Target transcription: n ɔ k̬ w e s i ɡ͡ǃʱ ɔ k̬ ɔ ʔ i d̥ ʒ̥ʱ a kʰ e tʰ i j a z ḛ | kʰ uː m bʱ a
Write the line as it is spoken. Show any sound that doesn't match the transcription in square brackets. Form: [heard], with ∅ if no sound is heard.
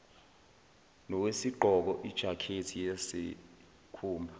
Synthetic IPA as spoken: n ɔ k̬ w e s i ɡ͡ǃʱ ɔ k̬ ɔ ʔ i d̥ ʒ̥ʱ a kʰ e tʰ i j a [s] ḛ | kʰ uː m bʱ a